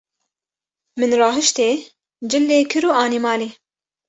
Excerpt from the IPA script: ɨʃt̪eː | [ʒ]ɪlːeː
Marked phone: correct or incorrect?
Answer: incorrect